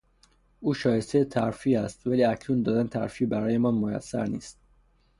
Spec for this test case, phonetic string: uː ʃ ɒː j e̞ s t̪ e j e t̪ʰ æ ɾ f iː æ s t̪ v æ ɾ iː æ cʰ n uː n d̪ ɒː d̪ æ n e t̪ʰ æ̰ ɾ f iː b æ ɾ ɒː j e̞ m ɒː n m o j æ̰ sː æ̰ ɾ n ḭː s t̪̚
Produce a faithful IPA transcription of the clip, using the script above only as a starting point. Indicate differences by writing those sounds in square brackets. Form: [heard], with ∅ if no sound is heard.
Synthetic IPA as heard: uː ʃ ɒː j e̞ s t̪ e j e t̪ʰ æ ɾ f iː æ s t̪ v æ [l] iː æ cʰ n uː n d̪ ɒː d̪ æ n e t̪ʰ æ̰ ɾ f iː b æ ɾ ɒː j e̞ m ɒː n m o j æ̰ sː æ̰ ɾ n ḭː s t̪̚